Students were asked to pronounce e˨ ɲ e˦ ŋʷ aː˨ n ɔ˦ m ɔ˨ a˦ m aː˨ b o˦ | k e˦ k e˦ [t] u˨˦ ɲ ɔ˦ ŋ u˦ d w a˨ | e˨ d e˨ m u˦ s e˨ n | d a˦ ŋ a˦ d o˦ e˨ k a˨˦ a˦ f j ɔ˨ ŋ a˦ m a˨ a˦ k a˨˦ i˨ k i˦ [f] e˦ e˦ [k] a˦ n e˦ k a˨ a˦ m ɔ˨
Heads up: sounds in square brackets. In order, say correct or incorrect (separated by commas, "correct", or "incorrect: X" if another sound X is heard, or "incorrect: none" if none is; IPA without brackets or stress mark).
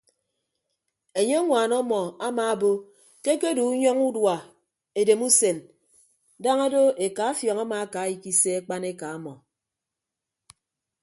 incorrect: d, incorrect: s, incorrect: k͡p